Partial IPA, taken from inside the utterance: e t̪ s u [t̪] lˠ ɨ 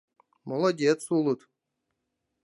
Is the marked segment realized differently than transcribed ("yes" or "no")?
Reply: yes